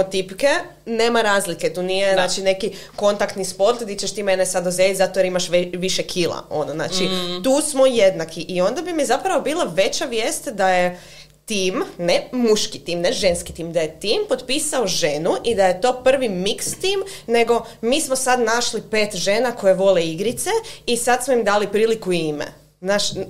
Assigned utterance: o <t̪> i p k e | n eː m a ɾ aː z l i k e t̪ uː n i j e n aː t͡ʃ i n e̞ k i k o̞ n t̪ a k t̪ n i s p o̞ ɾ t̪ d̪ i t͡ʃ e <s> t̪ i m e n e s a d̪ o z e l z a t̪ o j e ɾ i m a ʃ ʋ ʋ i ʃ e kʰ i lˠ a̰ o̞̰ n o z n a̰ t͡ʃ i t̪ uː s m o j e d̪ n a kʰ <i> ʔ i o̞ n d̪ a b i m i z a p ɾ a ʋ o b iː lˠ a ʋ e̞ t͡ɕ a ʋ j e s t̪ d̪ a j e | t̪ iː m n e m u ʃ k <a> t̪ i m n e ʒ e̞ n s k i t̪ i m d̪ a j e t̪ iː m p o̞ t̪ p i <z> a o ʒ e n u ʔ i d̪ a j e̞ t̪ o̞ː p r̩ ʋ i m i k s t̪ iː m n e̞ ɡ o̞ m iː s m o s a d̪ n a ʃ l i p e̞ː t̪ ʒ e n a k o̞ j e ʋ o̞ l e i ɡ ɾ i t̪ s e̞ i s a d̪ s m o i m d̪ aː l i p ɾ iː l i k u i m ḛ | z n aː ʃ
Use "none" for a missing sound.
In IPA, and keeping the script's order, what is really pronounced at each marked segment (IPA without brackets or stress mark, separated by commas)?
t̪, ʃ, i, i, s